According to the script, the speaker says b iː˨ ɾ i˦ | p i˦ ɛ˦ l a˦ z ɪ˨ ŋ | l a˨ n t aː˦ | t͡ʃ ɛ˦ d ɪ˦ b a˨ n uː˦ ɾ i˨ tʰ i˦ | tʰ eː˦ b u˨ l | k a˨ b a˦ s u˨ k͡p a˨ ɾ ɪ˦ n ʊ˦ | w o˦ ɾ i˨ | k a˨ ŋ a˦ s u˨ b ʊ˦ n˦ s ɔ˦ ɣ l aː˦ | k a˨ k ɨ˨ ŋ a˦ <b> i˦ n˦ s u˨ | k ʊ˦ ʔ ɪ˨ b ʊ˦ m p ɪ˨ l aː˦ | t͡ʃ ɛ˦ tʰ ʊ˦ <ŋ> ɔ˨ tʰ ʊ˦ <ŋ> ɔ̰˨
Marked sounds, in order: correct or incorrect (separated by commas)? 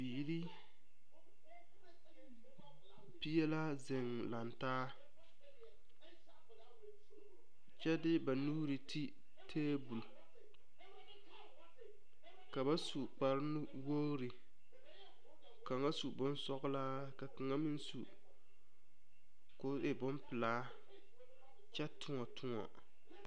incorrect, correct, correct